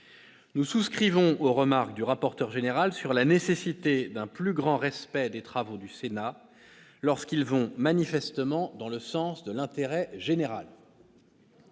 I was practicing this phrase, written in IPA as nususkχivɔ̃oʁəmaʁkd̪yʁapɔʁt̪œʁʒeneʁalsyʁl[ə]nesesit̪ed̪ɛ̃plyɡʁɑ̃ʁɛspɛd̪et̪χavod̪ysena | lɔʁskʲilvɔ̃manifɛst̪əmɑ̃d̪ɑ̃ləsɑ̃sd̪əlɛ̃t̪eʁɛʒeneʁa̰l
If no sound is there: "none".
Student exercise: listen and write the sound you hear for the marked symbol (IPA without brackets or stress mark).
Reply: a